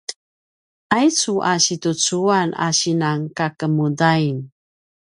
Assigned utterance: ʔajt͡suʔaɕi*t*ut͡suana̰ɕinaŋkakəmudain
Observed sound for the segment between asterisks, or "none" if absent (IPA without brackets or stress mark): t